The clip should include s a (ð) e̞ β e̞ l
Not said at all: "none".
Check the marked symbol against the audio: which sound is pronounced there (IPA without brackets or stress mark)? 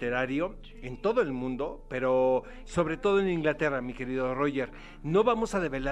ð